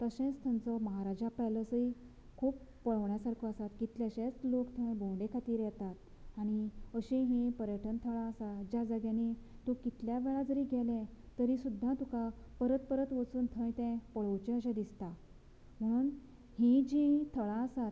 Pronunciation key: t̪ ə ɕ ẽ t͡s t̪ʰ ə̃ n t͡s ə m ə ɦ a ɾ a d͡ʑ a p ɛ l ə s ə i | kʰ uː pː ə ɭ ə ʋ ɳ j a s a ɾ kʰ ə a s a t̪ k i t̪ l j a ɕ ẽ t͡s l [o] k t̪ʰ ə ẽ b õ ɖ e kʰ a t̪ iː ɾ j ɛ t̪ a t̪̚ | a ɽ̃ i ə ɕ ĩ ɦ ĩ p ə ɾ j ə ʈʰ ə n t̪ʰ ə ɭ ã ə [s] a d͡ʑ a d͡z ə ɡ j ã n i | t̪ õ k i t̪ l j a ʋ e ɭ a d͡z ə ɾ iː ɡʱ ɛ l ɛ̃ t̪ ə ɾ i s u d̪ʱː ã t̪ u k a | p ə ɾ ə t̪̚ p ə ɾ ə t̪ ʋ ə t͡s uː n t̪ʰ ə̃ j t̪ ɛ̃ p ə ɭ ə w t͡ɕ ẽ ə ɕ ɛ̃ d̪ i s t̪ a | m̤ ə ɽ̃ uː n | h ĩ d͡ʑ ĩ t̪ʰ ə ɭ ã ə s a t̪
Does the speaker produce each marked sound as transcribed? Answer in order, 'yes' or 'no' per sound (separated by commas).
yes, yes